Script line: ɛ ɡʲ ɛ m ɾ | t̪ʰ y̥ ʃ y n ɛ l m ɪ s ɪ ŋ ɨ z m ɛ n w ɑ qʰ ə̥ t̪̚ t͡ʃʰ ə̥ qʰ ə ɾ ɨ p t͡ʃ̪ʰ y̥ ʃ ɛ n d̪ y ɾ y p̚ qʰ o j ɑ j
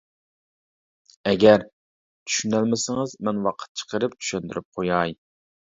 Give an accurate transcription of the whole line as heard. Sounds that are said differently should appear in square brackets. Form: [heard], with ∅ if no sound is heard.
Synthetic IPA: ɛ ɡʲ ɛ [∅] ɾ | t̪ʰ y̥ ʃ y n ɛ l m ɪ s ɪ ŋ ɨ z m ɛ n w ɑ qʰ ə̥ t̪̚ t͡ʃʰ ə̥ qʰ ə ɾ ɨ p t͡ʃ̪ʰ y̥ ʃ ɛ n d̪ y ɾ y p̚ qʰ o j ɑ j